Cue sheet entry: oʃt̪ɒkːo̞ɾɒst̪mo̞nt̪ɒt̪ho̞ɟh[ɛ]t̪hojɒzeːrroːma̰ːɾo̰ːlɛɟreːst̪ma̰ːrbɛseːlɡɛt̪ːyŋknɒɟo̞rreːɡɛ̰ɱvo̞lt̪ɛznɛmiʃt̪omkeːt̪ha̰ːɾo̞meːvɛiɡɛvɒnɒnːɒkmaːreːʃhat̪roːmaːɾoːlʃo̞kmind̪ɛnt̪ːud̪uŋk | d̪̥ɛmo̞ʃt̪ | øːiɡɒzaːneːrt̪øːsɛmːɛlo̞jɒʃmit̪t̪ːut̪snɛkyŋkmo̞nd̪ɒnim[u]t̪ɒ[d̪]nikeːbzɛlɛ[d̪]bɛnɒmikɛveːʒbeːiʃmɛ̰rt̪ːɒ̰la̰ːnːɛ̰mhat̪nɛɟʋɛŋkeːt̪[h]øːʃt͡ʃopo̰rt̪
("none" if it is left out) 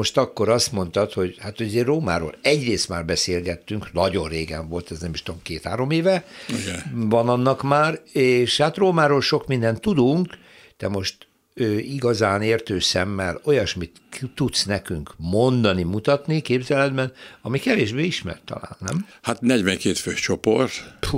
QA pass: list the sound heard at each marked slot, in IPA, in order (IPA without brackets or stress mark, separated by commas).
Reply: a, u, t̪, d̪, f